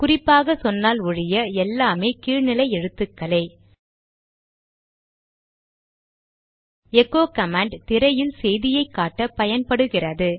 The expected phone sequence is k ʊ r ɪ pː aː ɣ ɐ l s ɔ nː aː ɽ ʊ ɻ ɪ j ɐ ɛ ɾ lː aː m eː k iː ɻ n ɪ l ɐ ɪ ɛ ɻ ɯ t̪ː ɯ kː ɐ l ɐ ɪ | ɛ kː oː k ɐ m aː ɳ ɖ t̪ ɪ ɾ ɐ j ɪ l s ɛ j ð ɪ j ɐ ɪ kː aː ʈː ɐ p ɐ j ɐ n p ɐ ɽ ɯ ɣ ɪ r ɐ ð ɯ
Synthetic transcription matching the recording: k ʊ r ɪ pː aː ɣ ɐ s ɔ nː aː l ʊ ɻ ɪ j ɐ ɛ lː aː m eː k iː ɻ n ɪ l ɐ ɪ ɛ ɻ ɯ t̪ː ɯ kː ɐ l ɐ ɪ | ɛ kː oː k ɐ m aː ɳ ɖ t̪ ɪ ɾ ɐ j ɪ l s ɛ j ð ɪ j ɐ ɪ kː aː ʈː ɐ p ɐ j ɐ n p ɐ ɽ ɯ ɣ ɪ r ɐ ð ɯ